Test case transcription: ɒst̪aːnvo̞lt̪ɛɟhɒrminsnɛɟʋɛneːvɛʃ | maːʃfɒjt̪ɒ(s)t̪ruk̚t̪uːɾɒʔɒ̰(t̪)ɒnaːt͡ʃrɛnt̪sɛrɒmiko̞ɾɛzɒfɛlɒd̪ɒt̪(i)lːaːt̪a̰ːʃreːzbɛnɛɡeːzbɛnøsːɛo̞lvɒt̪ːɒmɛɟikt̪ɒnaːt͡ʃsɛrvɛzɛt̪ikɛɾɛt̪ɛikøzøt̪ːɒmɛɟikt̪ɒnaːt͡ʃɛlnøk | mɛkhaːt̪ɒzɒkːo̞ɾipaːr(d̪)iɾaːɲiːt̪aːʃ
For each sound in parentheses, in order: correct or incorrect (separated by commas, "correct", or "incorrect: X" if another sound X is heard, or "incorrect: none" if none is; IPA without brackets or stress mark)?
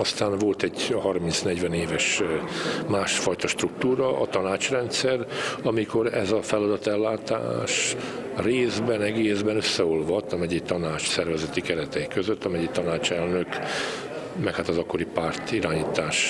incorrect: ʃ, correct, incorrect: ɛ, incorrect: t̪